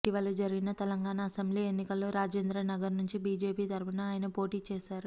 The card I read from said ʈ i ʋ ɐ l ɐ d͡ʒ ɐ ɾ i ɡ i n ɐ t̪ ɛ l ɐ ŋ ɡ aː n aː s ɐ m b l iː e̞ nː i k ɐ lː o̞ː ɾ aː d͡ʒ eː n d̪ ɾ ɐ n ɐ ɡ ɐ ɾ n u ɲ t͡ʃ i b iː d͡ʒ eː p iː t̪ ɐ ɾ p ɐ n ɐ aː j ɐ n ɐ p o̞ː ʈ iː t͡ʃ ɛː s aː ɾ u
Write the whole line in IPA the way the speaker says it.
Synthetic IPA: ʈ i ʋ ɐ l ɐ d͡ʒ ɐ ɾ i ɡ i n ɐ t̪ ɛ l ɐ ŋ ɡ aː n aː s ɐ m b l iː e̞ nː i k ɐ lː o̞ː ɾ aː d͡ʒ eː n d̪ ɾ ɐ n ɐ ɡ ɐ ɾ n u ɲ t͡ʃ i b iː d͡ʒ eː p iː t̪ ɐ ɾ p ɐ n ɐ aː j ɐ n ɐ p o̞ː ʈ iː t͡ʃ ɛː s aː ɾ u